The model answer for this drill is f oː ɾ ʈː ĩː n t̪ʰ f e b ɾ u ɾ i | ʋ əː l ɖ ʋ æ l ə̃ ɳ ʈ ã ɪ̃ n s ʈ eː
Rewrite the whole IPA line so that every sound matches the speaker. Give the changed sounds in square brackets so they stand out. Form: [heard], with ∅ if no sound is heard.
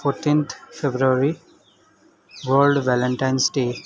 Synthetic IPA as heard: f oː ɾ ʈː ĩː n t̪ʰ f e b ɾ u ɾ i | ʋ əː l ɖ ʋ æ l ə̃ ɳ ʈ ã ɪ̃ n s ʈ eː